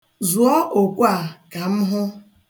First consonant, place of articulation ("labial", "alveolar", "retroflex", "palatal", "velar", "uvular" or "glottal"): alveolar